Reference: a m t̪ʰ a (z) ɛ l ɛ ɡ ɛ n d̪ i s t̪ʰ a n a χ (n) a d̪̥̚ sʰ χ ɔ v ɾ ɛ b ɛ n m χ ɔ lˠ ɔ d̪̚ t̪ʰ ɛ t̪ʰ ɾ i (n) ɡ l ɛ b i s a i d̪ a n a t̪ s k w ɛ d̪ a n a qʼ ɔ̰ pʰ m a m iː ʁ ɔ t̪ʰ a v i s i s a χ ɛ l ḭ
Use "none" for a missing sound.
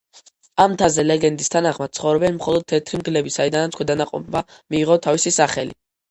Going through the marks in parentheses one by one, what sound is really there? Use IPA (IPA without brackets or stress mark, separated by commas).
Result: z, m, m